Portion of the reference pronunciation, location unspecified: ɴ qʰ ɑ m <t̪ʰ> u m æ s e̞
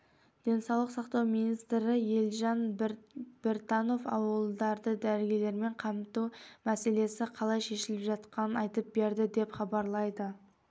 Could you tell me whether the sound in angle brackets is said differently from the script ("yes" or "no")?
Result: yes